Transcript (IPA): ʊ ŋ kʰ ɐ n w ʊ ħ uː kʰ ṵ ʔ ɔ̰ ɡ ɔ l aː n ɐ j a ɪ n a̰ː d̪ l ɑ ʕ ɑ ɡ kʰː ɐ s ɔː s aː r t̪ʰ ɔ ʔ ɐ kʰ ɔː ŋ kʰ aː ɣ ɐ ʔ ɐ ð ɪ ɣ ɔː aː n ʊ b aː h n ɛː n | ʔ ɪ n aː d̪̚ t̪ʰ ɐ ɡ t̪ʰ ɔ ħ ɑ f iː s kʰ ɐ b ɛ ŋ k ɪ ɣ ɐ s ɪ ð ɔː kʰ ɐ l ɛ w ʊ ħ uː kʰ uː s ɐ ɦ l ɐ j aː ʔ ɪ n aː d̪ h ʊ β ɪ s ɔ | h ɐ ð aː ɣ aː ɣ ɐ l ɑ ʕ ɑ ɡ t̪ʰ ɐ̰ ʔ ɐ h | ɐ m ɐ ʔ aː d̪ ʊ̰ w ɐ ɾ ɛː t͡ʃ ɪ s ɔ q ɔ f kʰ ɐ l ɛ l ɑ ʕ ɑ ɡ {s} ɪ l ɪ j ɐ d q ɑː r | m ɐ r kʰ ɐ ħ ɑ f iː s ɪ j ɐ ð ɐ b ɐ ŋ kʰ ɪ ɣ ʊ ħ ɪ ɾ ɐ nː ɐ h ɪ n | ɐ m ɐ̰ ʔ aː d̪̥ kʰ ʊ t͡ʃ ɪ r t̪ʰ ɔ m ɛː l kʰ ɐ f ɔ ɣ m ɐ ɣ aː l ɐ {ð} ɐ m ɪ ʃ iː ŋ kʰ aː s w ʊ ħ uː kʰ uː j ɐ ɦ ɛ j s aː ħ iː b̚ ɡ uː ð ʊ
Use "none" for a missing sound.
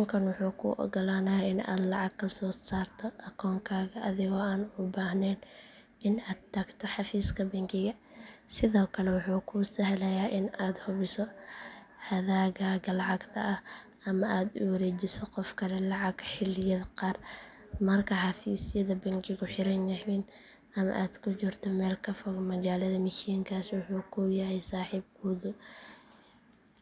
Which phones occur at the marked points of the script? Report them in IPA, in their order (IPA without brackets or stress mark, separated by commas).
ħ, ð